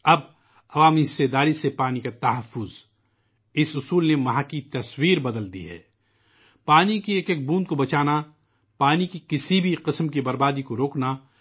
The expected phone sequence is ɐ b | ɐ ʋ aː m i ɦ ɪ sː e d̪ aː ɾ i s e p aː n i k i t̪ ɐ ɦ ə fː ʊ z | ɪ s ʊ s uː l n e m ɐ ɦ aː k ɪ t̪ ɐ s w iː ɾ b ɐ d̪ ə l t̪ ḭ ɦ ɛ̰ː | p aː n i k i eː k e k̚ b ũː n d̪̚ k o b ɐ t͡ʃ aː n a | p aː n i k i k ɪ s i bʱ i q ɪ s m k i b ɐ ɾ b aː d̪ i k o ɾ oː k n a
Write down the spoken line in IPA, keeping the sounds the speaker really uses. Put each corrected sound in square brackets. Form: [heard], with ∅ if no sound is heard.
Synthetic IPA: ɐ b | ɐ ʋ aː m i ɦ ɪ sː e d̪ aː ɾ i s e p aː n i k [a] t̪ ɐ ɦ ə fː ʊ z | ɪ s ʊ s uː l n e m ɐ ɦ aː k [i] t̪ ɐ s w iː ɾ b ɐ d̪ ə l [d̪] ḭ ɦ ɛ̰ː | p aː n i k i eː k e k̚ b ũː n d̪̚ k o b ɐ t͡ʃ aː n a | p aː n i k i k ɪ s i bʱ i q ɪ s m k i b ɐ ɾ b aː d̪ i k o ɾ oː k n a